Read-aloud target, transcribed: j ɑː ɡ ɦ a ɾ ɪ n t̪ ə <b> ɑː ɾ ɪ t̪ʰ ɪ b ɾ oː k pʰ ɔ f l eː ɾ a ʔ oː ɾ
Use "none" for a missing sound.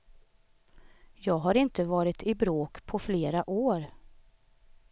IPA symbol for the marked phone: v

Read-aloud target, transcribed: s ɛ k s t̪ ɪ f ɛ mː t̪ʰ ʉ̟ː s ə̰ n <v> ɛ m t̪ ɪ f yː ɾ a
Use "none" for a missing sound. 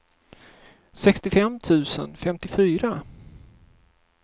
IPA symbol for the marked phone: f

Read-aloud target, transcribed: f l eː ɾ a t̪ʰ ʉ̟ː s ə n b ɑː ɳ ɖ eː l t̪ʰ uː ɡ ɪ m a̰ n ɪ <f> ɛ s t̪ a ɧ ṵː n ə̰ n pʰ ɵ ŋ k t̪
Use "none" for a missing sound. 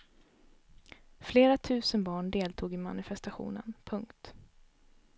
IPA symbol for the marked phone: f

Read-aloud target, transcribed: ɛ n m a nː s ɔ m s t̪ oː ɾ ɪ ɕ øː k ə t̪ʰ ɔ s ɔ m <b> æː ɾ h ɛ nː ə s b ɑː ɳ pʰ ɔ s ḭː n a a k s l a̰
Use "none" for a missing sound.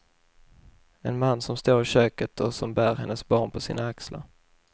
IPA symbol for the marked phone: b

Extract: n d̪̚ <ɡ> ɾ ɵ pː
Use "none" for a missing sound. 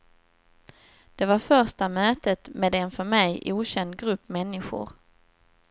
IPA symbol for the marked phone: ɡ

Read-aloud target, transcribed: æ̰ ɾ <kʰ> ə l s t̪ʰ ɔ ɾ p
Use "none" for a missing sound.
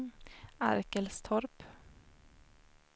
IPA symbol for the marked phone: k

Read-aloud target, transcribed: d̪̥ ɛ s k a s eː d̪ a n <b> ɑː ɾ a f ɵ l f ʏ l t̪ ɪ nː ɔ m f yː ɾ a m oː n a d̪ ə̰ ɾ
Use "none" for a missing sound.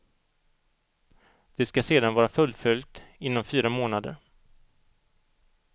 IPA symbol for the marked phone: v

